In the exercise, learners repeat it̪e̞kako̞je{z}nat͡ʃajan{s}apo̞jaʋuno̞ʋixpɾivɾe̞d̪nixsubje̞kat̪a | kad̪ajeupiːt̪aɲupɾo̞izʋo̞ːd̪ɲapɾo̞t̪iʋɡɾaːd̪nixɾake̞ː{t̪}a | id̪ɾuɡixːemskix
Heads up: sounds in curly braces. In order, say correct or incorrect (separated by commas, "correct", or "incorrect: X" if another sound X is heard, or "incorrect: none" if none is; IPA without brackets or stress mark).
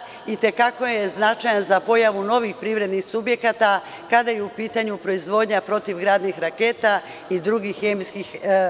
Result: correct, incorrect: z, correct